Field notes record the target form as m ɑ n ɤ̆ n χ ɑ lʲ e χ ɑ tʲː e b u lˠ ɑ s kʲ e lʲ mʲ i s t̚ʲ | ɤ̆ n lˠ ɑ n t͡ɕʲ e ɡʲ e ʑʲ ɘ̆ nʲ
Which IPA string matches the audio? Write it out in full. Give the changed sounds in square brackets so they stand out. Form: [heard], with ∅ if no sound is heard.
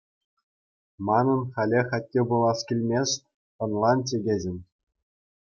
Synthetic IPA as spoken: m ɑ n ɤ̆ n χ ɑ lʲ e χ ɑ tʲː e b u lˠ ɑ s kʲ [i] lʲ mʲ [e] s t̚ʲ | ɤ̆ n lˠ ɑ n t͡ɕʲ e ɡʲ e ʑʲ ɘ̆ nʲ